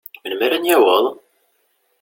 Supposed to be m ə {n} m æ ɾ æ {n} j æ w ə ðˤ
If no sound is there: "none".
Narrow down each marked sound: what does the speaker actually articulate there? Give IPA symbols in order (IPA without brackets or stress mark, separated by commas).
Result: n, n